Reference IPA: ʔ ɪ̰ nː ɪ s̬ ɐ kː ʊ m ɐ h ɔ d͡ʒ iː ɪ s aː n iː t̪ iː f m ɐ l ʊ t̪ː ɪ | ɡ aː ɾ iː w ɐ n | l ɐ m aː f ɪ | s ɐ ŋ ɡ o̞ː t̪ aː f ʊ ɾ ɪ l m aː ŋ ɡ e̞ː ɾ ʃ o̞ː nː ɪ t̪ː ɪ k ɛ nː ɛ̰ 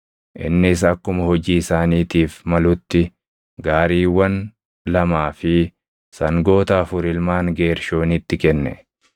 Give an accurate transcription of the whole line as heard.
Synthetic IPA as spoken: ʔ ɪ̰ nː ɪ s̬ ɐ kː ʊ m ɐ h ɔ d͡ʒ iː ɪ s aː n iː t̪ iː f m ɐ l ʊ t̪ː ɪ | ɡ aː ɾ iː w ɐ n | l ɐ m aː f ɪ | s ɐ ŋ ɡ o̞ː t̪ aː f ʊ ɾ ɪ l m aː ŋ ɡ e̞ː ɾ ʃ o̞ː n ɪ t̪ː ɪ k ɛ nː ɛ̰